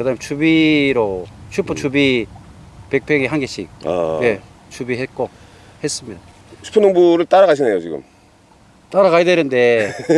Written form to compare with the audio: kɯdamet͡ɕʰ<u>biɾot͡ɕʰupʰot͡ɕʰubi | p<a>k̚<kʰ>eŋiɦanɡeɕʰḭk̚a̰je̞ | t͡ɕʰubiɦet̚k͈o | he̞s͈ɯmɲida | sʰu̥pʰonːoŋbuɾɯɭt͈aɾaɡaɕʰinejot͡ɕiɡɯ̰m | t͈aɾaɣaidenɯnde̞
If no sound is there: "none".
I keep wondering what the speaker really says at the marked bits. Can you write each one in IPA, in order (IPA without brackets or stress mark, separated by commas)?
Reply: u, e, pʰ